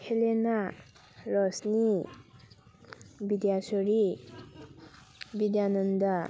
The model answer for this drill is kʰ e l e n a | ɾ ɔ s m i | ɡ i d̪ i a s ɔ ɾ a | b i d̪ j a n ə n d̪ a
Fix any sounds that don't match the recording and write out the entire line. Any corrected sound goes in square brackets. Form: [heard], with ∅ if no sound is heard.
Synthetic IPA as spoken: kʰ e l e n a | ɾ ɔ s [n] i | [b] i d̪ [j] a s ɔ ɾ [i] | b i d̪ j a n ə n d̪ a